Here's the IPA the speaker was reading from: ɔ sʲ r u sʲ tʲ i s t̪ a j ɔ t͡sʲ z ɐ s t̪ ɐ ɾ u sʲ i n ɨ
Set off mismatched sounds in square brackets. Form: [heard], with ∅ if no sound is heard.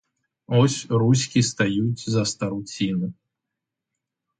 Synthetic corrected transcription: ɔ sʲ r u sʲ [kʲ] i s t̪ a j [u] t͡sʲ z ɐ s t̪ ɐ ɾ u [t͡sʲ] i n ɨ